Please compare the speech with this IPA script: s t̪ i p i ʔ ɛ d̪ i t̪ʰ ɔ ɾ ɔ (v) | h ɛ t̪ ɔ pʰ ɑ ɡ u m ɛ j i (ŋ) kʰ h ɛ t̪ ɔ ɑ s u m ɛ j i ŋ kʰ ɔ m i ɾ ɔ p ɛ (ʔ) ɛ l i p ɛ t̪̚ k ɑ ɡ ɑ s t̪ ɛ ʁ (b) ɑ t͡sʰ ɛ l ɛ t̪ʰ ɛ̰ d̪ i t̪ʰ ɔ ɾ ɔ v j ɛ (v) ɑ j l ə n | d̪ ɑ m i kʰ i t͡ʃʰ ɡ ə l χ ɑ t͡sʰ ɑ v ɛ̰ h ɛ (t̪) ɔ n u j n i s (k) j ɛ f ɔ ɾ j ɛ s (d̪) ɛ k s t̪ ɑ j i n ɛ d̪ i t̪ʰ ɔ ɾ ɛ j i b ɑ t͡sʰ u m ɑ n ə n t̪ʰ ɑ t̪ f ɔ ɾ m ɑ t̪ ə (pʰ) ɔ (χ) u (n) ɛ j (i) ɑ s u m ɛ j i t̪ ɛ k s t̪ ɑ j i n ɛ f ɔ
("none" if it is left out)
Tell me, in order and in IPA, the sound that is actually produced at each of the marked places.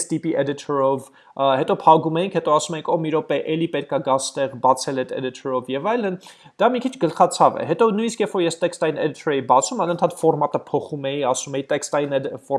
v, ŋ, ʔ, b, v, t̪, k, t̪, pʰ, χ, m, i

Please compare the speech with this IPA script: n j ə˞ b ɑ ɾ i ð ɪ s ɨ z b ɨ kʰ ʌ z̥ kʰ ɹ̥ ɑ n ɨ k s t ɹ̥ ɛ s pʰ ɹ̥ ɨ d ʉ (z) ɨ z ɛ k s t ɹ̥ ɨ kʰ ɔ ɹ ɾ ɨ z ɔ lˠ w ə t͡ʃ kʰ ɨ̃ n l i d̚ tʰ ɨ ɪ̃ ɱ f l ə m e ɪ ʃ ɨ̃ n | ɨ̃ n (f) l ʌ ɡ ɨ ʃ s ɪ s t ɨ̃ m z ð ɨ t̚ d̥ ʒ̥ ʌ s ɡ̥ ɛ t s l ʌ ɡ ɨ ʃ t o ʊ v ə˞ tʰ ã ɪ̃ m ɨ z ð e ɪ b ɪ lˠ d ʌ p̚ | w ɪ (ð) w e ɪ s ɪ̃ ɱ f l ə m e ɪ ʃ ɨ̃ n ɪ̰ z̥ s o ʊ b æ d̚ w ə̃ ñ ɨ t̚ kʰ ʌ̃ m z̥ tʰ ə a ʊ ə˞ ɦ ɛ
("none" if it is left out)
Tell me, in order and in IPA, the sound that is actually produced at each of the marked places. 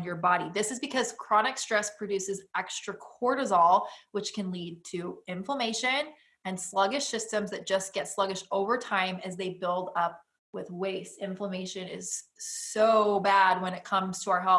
s, s, ð

